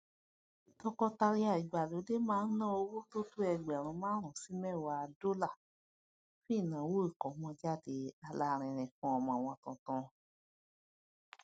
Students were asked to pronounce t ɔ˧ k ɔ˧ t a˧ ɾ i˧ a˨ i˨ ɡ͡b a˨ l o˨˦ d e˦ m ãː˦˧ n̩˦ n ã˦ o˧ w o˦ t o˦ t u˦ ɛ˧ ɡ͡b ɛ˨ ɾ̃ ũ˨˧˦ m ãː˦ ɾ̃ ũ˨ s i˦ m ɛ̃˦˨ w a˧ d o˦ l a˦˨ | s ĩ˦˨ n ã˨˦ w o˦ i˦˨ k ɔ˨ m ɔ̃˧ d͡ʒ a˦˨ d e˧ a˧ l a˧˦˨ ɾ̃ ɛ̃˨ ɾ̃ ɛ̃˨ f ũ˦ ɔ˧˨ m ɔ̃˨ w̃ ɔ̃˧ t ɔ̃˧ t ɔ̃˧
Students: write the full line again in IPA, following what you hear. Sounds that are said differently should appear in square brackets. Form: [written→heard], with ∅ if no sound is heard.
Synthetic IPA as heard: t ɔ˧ k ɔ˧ t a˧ ɾ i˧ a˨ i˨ ɡ͡b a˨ l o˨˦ d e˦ m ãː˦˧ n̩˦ n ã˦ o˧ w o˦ t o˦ t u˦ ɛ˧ ɡ͡b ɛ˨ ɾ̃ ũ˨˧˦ m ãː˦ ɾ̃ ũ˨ s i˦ m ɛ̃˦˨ w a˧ d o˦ l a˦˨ | [s→f] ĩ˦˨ n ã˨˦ w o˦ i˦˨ k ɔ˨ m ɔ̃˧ d͡ʒ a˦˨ d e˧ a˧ l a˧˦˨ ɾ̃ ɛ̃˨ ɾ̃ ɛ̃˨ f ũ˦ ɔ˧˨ m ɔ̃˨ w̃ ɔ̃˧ t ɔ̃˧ t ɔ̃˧

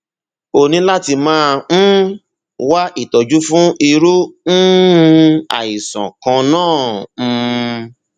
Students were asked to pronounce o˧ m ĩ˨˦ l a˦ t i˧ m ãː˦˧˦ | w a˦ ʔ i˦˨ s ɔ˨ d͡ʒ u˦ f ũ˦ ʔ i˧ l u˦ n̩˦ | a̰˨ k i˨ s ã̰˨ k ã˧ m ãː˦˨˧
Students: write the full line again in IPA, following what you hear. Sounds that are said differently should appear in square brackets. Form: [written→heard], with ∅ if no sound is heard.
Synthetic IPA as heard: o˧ [m→n] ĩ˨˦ l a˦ t i˧ m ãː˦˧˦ | w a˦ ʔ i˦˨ [s→t] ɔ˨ d͡ʒ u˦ f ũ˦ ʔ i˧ [l→ɾ] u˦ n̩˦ | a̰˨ [k→∅] i˨ s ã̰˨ k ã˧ [m→n] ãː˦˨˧

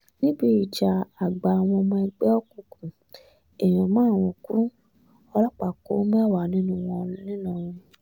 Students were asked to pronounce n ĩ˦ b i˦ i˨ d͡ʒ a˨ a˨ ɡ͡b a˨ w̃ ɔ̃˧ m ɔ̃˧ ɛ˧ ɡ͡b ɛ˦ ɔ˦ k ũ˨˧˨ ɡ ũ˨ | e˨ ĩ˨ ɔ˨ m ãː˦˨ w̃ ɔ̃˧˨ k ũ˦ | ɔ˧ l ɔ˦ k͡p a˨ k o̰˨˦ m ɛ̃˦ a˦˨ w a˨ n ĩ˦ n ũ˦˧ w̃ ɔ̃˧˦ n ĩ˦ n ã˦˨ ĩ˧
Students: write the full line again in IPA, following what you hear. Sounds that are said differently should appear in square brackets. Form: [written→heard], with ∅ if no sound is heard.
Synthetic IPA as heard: n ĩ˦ b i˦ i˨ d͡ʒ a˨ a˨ ɡ͡b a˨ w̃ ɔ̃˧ m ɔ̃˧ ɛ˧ ɡ͡b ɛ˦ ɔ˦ k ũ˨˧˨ [ɡ→k] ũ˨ | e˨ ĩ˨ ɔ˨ m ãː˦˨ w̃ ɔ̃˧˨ k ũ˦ | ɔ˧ l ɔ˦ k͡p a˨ k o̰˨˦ m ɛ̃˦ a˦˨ w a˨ n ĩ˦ n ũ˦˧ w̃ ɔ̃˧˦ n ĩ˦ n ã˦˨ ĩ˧

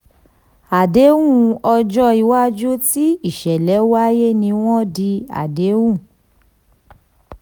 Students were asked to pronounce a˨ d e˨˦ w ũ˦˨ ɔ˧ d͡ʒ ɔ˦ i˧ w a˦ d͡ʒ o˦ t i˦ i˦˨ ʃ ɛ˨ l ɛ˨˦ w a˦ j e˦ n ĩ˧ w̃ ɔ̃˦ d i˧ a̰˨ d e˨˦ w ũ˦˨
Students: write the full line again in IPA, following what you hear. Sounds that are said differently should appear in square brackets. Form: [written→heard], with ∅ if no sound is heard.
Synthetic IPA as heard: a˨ d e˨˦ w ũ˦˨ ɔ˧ d͡ʒ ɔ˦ i˧ w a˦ d͡ʒ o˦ t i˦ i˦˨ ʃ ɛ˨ l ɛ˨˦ w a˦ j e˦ n ĩ˧ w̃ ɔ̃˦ d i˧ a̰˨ d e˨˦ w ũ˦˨

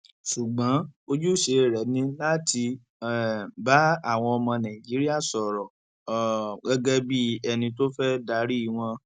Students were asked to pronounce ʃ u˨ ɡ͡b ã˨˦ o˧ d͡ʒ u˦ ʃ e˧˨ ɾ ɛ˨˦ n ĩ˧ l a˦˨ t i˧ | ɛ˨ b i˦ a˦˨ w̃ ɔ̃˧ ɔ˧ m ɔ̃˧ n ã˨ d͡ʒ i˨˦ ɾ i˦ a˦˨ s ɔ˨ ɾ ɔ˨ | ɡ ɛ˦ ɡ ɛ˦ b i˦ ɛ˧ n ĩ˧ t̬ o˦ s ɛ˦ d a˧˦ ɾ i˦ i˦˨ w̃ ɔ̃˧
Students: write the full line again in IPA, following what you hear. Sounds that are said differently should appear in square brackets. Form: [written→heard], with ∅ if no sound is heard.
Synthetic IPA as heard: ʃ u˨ ɡ͡b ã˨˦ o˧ d͡ʒ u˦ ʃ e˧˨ ɾ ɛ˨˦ n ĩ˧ l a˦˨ t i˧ | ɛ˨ b [i˦→a˦] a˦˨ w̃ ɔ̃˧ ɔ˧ m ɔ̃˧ n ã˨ d͡ʒ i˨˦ ɾ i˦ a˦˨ s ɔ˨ ɾ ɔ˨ | ɡ ɛ˦ ɡ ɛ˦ b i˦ ɛ˧ n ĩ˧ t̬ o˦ [s→f] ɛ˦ d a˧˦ ɾ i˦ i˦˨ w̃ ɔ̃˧

